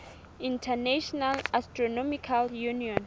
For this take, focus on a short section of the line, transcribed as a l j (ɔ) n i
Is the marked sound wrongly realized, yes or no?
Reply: yes